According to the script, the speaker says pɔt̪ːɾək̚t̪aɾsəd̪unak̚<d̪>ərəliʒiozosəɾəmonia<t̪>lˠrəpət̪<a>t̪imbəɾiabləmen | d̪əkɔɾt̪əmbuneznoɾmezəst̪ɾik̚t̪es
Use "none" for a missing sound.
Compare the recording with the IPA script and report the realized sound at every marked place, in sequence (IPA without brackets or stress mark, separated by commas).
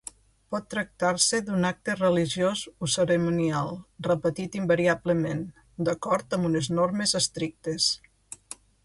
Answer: t̪, none, i